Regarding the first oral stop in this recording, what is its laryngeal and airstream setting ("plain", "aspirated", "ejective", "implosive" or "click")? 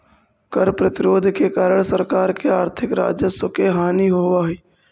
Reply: plain